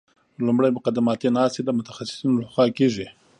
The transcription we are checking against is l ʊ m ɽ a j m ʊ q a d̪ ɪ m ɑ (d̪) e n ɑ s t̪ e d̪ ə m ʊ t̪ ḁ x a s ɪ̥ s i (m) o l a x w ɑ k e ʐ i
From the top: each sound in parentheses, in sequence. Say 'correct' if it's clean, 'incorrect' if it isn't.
incorrect, incorrect

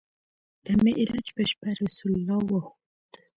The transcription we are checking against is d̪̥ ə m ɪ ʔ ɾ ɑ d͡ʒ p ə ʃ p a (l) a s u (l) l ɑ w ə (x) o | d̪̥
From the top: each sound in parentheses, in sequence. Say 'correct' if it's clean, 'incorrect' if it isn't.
incorrect, correct, correct

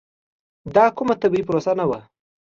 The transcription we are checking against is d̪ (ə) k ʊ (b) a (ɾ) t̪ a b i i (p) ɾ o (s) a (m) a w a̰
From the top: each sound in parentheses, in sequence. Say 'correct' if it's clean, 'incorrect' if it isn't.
incorrect, incorrect, incorrect, correct, correct, incorrect

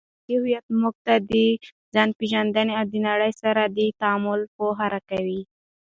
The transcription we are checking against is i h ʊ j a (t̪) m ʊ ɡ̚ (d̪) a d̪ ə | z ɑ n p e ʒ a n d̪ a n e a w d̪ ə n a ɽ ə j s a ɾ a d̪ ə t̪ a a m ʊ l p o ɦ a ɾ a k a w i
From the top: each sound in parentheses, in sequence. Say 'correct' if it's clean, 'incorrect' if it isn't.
correct, incorrect

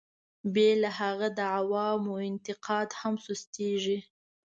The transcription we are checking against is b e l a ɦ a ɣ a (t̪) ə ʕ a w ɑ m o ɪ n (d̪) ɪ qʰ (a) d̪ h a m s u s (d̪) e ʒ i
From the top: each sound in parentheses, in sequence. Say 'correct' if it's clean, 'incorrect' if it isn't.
incorrect, incorrect, incorrect, incorrect

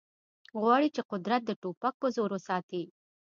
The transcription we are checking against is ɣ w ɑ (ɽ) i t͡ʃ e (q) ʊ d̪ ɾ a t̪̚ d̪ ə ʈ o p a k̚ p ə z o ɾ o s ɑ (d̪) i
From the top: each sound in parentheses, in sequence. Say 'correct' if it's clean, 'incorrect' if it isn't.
correct, correct, incorrect

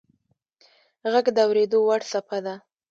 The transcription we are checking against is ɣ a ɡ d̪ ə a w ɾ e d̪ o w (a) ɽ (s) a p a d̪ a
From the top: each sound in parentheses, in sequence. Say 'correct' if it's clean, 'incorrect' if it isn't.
correct, correct

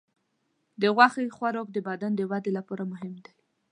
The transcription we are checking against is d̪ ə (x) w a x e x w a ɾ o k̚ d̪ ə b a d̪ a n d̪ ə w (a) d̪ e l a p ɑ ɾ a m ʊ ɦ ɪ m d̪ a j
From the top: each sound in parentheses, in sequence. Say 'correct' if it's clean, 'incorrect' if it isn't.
incorrect, correct

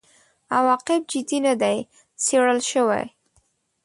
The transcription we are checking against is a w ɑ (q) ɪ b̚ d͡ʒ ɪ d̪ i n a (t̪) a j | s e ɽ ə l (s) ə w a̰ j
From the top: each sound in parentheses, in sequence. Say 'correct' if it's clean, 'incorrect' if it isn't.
correct, incorrect, incorrect

